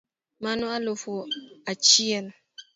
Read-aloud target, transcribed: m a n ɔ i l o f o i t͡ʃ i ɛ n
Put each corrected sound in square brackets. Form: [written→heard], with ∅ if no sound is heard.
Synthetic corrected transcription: m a n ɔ [i→a] l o f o [i→a] t͡ʃ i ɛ n